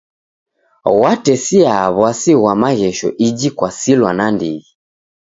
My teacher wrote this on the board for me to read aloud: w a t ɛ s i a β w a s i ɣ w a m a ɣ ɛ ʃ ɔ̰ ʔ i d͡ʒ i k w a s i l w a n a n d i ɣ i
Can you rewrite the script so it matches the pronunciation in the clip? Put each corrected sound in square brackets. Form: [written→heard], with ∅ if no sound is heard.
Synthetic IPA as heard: w a t ɛ s i a β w a s i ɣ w a m a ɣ ɛ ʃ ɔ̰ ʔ i d͡ʒ i k w a s i l w a n a n d i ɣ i